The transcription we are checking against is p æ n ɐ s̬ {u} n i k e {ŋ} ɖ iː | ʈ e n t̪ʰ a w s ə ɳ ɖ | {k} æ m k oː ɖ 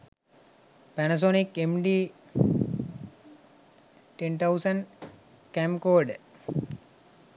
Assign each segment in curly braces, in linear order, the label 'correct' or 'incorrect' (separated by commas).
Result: incorrect, incorrect, correct